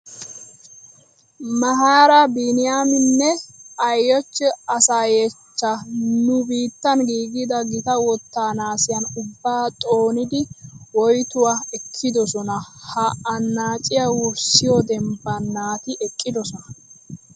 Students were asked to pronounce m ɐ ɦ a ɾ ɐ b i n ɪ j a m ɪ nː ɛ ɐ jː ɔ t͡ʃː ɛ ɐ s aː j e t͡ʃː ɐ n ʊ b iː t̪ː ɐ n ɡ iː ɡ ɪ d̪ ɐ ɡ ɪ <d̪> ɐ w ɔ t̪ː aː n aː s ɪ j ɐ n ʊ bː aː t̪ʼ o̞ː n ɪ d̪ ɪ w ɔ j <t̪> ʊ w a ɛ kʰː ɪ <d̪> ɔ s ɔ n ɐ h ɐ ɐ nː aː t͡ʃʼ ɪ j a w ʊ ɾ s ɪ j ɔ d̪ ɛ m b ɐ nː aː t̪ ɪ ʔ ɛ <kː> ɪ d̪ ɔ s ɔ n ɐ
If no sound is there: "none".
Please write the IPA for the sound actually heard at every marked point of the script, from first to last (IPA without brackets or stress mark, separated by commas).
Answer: t̪, t̪, d̪, kʼː